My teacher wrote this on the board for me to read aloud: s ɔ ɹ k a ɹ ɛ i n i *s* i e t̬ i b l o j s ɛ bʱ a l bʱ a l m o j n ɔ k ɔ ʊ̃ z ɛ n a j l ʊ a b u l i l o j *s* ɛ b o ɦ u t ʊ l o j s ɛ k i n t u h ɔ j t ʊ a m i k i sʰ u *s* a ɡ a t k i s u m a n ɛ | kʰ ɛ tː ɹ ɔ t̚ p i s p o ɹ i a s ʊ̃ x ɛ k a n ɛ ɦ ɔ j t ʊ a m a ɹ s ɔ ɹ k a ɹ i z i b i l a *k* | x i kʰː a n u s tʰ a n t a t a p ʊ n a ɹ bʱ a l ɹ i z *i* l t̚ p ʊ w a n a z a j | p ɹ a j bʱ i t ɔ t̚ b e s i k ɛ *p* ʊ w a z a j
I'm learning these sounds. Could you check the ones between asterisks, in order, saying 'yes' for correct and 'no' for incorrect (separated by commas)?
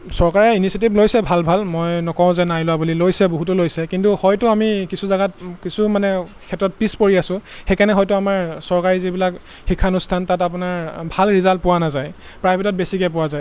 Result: yes, yes, no, yes, no, yes